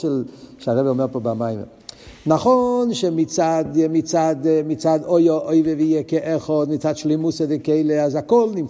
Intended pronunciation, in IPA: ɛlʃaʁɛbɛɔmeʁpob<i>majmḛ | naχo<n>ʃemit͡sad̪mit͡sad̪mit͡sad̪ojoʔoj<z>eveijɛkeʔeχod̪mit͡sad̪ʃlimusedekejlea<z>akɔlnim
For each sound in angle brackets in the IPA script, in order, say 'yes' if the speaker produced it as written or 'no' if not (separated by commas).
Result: no, yes, no, yes